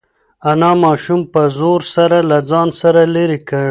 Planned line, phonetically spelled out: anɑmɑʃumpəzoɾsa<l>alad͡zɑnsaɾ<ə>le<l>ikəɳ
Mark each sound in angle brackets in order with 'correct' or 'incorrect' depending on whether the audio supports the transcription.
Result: incorrect: ɾ, incorrect: a, incorrect: ɾ

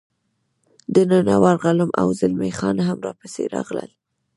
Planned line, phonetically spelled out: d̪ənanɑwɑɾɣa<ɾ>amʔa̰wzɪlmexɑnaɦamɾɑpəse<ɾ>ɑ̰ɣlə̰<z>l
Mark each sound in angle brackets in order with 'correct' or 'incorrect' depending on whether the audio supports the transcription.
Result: incorrect: l, correct, incorrect: none

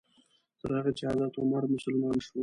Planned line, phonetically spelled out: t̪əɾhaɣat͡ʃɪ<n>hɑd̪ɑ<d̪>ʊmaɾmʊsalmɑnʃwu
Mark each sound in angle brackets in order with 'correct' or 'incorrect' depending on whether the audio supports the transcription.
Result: incorrect: none, incorrect: t̪

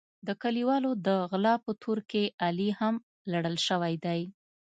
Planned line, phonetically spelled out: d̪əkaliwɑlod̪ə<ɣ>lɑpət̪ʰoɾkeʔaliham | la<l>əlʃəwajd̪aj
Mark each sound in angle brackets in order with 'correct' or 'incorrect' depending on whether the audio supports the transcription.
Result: correct, incorrect: ɽ

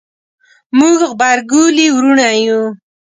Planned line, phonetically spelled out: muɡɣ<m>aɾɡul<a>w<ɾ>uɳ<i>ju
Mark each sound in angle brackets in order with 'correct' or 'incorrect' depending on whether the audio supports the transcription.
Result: incorrect: b, incorrect: i, correct, incorrect: a

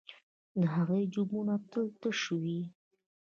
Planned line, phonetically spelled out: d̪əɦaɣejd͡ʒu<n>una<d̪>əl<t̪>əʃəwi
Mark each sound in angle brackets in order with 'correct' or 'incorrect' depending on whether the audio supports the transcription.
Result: incorrect: m, incorrect: t̪, correct

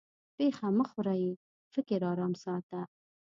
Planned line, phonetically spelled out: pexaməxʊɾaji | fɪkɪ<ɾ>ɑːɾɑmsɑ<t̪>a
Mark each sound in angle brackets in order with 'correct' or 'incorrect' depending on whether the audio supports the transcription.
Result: correct, correct

